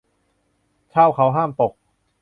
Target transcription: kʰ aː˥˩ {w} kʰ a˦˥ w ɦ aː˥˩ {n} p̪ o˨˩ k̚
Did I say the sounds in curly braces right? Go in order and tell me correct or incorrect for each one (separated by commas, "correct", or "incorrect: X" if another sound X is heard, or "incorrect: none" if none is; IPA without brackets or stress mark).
correct, incorrect: m